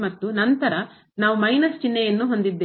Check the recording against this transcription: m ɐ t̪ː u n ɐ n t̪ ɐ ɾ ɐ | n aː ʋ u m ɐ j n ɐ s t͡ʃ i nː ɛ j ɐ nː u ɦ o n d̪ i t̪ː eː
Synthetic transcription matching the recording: m ɐ t̪ː u n ɐ n t̪ ɐ ɾ ɐ | n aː ʋ u m ɐ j n ɐ s t͡ʃ i nː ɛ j ɐ nː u ɦ o n d̪ i d̪ː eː